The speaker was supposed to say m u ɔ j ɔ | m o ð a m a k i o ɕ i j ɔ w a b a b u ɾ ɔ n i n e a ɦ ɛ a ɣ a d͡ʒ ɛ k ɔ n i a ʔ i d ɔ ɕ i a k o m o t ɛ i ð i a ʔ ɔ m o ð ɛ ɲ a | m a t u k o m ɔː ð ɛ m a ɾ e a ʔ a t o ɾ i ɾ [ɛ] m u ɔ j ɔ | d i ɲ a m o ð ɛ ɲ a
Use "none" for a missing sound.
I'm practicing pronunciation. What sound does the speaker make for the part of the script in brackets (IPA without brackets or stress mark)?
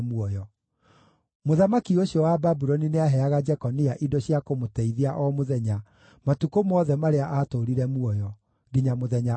ɛ